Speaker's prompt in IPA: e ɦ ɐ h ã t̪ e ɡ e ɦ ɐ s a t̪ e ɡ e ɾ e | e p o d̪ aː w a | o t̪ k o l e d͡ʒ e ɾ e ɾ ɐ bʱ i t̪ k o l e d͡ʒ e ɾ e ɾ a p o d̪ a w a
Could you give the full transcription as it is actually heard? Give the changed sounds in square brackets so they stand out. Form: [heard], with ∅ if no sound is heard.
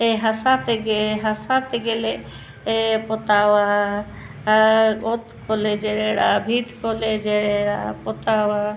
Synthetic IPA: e ɦ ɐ [s] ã t̪ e ɡ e ɦ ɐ s a t̪ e ɡ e [l] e | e p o [t̪] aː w a | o t̪ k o l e d͡ʒ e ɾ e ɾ [a] bʱ i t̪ k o l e d͡ʒ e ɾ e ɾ a p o [t̪] a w a